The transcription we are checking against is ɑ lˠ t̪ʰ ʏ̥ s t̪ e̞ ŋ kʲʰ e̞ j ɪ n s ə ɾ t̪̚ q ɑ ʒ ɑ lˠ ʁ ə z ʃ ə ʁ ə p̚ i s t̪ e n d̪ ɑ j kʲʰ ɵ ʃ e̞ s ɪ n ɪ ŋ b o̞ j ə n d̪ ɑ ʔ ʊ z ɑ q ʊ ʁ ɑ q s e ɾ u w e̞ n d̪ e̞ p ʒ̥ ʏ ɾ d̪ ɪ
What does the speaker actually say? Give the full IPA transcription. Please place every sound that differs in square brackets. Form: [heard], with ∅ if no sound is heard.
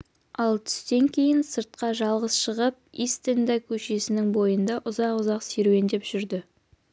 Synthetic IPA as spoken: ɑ lˠ t̪ʰ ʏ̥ s t̪ e̞ ŋ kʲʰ e̞ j ɪ n s ə ɾ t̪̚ q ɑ ʒ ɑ lˠ ʁ ə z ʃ ə ʁ ə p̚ i s t̪ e n d̪ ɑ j kʲʰ ɵ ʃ e̞ s ɪ n ɪ ŋ b o̞ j ə n d̪ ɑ ʔ ʊ z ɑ q ʊ [z] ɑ q s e ɾ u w e̞ n d̪ e̞ p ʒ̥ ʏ ɾ d̪ ɪ